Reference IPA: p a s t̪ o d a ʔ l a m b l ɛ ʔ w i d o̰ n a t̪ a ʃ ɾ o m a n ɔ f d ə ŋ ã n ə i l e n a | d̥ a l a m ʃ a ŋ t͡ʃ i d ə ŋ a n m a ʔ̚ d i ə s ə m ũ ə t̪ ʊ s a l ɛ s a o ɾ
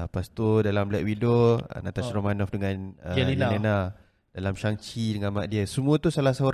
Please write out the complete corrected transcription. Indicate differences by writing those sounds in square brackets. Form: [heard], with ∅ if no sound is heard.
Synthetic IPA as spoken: p a s t̪ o d a [∅] l a m b l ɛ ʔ w i d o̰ n a t̪ a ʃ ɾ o m a n ɔ f d ə ŋ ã n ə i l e n a | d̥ a l a m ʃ a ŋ t͡ʃ i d ə ŋ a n m a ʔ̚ d i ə s ə m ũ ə t̪ [u] s a l [a] s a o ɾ